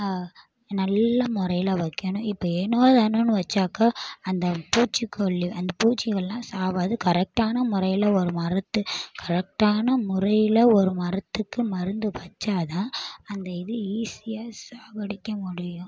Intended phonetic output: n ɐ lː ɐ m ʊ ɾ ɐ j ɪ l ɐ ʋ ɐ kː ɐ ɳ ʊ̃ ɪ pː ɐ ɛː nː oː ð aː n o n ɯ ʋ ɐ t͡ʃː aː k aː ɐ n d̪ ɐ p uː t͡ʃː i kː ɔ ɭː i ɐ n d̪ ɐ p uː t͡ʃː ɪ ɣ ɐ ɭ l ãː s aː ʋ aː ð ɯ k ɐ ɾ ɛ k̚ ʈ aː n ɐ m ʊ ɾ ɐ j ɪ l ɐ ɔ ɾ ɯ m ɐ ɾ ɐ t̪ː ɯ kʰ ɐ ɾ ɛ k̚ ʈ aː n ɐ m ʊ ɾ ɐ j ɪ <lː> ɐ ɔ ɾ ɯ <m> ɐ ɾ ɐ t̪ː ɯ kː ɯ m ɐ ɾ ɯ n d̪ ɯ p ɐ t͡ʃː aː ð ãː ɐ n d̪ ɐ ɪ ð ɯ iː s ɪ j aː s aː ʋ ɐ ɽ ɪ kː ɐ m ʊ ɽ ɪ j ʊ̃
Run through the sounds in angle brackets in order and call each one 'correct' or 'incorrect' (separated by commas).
incorrect, correct